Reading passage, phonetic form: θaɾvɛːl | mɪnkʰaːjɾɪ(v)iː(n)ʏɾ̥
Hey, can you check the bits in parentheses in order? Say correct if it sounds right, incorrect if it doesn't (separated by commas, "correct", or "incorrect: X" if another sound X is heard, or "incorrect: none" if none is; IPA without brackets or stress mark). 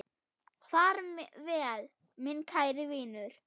correct, correct